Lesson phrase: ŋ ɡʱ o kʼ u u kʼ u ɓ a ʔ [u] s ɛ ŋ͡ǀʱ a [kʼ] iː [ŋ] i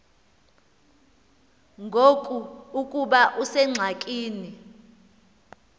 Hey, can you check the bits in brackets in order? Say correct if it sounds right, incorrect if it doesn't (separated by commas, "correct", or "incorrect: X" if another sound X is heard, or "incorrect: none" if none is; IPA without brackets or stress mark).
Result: correct, correct, incorrect: n